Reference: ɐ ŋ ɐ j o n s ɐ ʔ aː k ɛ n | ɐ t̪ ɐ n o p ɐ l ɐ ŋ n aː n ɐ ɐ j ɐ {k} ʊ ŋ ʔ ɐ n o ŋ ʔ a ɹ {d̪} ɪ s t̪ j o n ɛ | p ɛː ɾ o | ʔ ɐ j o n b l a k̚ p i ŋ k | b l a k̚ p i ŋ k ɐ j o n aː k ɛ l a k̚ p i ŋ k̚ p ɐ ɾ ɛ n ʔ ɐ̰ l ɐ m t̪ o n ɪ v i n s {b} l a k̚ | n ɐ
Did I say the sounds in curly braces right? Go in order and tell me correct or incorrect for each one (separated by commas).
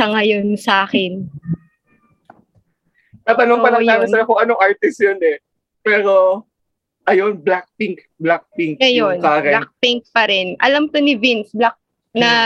correct, incorrect, correct